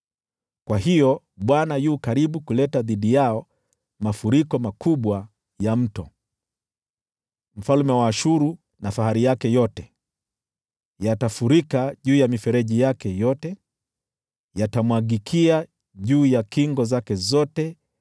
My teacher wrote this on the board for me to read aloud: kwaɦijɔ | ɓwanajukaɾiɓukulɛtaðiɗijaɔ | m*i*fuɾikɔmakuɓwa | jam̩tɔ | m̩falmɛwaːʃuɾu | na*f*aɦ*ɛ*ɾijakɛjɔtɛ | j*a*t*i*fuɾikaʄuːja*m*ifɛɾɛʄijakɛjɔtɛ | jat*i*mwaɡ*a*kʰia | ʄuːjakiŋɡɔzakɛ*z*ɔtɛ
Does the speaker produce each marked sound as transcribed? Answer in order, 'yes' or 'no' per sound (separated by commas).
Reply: no, yes, no, yes, no, yes, no, no, yes